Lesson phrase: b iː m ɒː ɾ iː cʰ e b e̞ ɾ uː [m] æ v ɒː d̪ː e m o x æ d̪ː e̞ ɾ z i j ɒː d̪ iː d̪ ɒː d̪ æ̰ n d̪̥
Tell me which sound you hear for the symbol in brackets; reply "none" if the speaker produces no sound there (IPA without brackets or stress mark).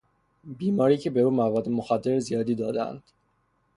m